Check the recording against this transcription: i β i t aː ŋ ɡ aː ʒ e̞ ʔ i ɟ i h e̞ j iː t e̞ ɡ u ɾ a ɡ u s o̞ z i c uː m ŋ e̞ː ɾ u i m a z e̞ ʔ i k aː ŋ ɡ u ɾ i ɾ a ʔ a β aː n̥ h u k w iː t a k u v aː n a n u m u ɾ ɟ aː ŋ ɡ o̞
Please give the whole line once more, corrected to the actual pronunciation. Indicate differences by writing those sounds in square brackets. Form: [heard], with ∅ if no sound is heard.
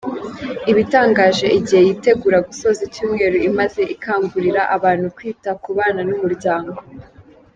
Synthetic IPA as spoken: i β i t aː ŋ ɡ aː ʒ e̞ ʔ i ɟ i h e̞ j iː t e̞ ɡ u ɾ a ɡ u s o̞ z i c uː m ŋ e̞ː ɾ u i m a z e̞ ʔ i k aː ŋ ɡ u ɾ i ɾ a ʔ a β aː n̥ h u k w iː t a k u [β] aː n a n u m u ɾ ɟ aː ŋ ɡ o̞